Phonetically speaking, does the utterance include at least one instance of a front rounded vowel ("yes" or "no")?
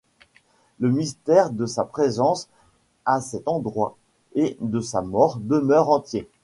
yes